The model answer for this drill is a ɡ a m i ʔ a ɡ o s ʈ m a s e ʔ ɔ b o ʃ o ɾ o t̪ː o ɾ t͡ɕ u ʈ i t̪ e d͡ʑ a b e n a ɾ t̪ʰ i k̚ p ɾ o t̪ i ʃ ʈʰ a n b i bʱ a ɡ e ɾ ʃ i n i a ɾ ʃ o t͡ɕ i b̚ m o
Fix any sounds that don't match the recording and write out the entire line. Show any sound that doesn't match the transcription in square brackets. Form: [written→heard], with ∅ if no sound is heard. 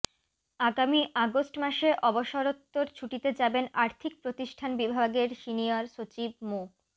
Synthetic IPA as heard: a ɡ a m i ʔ a ɡ o s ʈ m a [s→ʃ] e ʔ ɔ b o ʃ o ɾ o t̪ː o ɾ [t͡ɕ→t͡ɕʰ] u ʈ i t̪ e d͡ʑ a b e n a ɾ t̪ʰ i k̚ p ɾ o t̪ i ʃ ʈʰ a n b i bʱ a ɡ e ɾ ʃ i n i a ɾ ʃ o t͡ɕ i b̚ m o

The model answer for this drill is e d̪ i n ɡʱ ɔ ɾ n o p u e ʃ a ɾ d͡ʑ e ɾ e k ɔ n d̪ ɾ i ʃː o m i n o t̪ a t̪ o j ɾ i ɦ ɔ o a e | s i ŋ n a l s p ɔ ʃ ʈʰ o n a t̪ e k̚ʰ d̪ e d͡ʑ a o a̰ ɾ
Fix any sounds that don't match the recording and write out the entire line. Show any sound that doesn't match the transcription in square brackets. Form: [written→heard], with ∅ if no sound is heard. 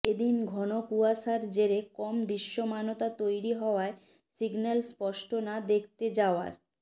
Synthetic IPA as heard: e d̪ i n ɡʱ ɔ [ɾ→∅] n o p u [e→a] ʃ a ɾ d͡ʑ e ɾ e k ɔ [n→m] d̪ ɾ i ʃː o m [i→a] n o t̪ a t̪ o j ɾ i ɦ ɔ o a e | s i [ŋ→ɡ] n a l s p ɔ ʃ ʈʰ o n a [t̪→d̪] e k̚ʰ [d̪→t̪] e d͡ʑ a o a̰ ɾ

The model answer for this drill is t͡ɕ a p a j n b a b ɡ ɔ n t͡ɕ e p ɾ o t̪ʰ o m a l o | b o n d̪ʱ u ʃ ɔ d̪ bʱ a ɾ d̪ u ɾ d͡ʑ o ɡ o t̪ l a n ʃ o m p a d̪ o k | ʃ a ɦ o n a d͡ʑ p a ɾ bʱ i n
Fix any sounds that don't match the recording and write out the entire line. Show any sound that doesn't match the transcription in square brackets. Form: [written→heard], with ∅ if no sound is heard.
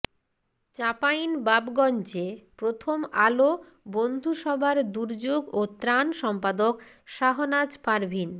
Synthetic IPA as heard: t͡ɕ a p a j n b a b ɡ ɔ n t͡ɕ e p ɾ o t̪ʰ o m a l o | b o n d̪ʱ u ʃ ɔ [d̪→∅] bʱ a ɾ d̪ u ɾ d͡ʑ o ɡ o t̪ [l→ɾ] a n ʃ [o→ɔ] m p a d̪ o k | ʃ a ɦ o n a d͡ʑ p a ɾ bʱ i n

